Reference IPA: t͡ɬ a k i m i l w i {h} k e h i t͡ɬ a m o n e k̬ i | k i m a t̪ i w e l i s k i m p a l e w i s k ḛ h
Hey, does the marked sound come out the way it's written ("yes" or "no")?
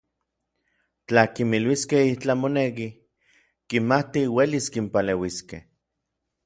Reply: no